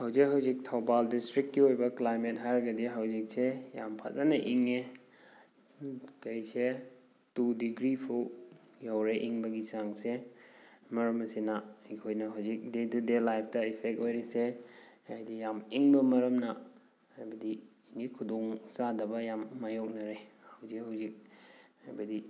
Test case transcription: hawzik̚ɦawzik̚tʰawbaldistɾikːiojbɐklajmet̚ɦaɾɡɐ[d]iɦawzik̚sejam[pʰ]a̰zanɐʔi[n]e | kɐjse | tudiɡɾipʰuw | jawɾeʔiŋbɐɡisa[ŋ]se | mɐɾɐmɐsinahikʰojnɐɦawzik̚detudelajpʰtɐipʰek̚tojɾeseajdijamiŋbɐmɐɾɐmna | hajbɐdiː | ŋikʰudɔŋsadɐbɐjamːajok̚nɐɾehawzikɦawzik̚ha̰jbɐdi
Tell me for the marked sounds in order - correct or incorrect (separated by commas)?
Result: correct, correct, incorrect, correct